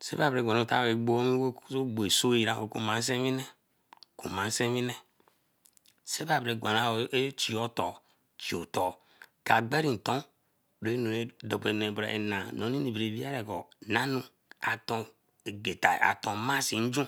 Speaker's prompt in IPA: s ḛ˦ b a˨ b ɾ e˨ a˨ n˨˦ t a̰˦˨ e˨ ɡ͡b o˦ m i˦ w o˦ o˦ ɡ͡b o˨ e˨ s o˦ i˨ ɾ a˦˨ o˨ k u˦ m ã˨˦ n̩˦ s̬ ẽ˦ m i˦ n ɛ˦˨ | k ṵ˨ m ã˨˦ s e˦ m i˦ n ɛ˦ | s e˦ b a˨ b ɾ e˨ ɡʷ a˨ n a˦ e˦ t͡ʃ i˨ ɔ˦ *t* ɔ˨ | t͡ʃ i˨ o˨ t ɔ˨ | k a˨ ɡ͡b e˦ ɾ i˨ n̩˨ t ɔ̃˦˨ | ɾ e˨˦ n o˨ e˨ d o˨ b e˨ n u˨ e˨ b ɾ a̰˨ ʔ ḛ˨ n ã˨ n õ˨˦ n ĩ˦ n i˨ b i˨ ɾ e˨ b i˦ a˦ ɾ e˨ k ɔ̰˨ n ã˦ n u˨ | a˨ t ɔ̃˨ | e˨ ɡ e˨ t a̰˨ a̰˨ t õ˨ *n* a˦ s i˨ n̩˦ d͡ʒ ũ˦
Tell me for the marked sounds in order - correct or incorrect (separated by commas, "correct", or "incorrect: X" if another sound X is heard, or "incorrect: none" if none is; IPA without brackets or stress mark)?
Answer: correct, incorrect: m